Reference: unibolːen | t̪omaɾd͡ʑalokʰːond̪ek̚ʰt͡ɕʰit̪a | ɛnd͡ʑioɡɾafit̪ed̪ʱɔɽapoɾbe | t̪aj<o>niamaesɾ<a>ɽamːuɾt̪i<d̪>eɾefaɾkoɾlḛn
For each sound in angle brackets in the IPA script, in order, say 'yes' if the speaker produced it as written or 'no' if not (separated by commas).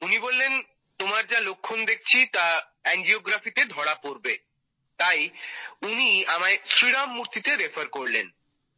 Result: no, no, no